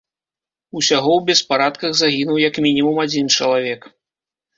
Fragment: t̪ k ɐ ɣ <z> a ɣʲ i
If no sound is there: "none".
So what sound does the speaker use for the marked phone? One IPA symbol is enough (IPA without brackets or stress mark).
z